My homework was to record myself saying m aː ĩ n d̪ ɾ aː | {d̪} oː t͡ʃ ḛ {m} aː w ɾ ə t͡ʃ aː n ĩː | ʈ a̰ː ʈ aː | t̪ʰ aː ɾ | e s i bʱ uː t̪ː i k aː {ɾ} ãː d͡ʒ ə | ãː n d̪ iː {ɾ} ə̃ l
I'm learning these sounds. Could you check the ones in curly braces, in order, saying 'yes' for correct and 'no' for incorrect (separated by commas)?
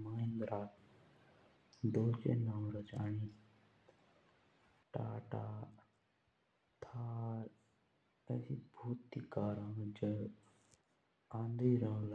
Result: yes, no, yes, yes